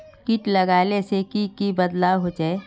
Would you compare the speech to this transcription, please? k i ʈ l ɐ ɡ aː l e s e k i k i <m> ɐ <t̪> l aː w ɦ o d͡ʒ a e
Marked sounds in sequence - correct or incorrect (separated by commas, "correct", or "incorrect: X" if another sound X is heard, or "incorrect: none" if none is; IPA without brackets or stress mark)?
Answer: incorrect: b, incorrect: d̪